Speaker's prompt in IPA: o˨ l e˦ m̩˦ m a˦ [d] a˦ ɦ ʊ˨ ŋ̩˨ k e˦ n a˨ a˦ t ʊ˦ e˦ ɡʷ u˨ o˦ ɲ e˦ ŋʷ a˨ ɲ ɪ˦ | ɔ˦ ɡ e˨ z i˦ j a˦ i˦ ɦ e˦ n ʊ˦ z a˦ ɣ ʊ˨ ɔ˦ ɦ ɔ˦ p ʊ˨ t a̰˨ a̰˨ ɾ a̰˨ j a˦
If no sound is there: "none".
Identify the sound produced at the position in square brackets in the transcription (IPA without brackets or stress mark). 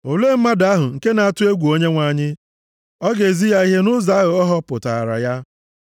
d